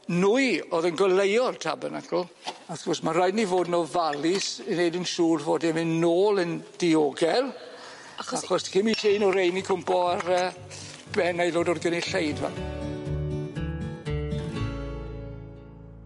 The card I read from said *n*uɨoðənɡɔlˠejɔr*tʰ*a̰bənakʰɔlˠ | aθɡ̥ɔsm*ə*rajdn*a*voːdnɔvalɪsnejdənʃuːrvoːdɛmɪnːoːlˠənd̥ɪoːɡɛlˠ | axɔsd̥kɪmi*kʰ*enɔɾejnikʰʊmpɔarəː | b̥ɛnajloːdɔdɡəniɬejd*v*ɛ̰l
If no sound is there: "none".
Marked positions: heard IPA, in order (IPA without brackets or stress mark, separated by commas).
n, tʰ, a, i, tʰ, v